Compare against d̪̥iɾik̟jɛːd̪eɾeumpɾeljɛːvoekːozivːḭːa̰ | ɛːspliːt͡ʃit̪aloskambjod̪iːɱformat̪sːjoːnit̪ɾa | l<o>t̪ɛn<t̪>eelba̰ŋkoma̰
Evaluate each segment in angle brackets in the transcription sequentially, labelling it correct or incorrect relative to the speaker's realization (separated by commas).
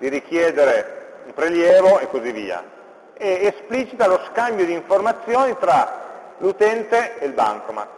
incorrect, correct